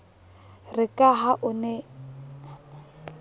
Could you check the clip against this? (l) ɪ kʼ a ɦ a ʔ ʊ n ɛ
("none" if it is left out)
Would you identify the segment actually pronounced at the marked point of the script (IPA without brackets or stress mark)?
r